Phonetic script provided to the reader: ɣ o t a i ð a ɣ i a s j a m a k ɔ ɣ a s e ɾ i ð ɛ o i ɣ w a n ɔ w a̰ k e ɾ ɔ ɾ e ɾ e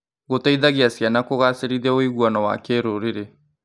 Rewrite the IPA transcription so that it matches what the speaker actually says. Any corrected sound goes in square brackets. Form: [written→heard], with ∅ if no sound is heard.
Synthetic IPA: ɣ o t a i ð a ɣ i a s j a [m→n] a k [ɔ→o] ɣ a s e ɾ i ð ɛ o i ɣ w a n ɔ w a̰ k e ɾ [ɔ→o] ɾ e ɾ e